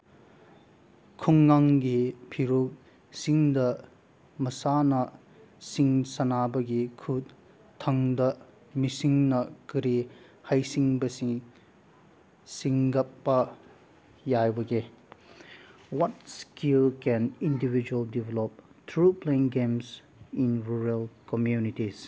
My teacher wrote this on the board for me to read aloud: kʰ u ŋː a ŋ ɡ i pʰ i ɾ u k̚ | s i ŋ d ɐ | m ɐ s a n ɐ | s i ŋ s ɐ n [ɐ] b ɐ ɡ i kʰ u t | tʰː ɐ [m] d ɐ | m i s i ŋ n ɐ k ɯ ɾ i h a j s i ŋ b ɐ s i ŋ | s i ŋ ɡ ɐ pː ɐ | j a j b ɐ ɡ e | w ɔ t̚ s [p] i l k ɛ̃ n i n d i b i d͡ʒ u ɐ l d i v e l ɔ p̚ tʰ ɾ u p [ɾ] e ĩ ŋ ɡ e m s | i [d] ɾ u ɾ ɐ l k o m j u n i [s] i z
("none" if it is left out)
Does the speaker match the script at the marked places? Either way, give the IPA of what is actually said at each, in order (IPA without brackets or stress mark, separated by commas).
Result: a, ŋ, k, l, n, t